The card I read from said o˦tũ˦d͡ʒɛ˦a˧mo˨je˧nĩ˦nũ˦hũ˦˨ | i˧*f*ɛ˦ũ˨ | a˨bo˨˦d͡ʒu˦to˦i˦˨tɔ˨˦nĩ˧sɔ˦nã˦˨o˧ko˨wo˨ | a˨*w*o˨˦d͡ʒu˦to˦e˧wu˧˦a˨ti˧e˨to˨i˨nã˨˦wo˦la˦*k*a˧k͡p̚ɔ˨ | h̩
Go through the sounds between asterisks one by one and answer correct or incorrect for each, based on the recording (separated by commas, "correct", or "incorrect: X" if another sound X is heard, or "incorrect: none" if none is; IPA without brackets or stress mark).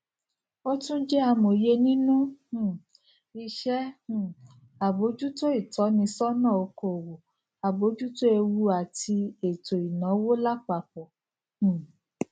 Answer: incorrect: ʃ, incorrect: b, incorrect: k͡p